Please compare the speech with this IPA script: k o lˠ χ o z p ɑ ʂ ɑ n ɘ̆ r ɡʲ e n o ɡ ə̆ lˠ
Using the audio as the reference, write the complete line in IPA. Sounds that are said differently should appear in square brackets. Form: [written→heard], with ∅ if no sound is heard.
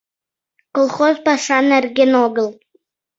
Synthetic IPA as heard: k o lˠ χ o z p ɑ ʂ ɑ n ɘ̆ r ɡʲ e n o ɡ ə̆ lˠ